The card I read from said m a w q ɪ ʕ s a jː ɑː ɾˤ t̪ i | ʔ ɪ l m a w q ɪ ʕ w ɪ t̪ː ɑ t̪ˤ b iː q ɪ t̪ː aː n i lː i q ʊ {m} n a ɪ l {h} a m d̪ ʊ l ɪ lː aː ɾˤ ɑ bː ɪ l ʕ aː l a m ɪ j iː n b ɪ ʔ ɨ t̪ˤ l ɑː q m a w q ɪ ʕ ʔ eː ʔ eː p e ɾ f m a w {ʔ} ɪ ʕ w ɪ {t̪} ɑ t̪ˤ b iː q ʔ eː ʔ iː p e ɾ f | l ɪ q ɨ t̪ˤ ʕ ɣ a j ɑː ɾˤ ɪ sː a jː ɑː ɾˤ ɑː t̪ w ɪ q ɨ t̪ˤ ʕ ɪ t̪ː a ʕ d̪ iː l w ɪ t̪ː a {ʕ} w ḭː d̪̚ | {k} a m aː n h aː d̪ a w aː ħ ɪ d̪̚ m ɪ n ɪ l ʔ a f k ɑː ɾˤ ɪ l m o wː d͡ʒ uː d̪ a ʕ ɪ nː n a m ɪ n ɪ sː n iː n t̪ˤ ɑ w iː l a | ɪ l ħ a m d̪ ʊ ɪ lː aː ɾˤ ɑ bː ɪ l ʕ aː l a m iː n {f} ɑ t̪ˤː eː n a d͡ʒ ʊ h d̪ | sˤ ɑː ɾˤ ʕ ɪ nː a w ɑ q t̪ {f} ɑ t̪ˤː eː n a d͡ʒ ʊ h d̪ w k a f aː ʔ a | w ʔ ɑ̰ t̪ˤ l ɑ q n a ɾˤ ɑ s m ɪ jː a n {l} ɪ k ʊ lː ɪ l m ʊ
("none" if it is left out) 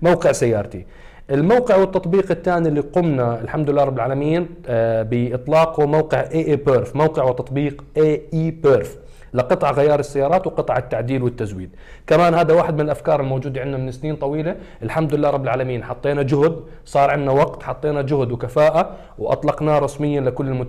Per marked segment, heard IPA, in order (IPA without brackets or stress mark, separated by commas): m, ħ, q, t̪, z, k, ħ, ħ, l